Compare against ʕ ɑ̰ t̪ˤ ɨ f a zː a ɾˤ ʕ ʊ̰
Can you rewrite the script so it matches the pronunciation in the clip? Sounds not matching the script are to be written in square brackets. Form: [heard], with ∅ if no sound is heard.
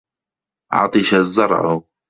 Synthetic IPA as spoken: ʕ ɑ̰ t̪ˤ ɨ [ʃ] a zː [ɑ] ɾˤ ʕ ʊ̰